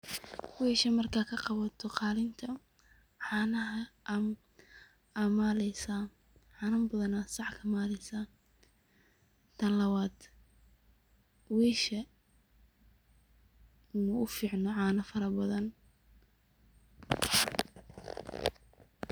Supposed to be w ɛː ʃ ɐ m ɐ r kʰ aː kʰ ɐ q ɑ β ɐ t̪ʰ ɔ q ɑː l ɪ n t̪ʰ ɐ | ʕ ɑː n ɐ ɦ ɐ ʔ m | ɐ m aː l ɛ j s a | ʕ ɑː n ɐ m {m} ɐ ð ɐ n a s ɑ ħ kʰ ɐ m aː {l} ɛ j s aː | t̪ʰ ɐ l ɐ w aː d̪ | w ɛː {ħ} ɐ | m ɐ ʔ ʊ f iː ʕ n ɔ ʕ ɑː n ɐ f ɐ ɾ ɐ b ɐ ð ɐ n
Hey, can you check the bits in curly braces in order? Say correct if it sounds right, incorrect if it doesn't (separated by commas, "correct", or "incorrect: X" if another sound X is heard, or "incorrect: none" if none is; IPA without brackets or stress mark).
incorrect: b, correct, incorrect: ʃ